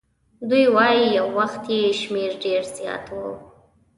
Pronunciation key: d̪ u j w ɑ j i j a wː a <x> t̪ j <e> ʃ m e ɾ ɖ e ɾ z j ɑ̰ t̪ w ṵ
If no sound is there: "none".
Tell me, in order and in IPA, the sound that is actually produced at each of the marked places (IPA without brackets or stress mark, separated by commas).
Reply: x, e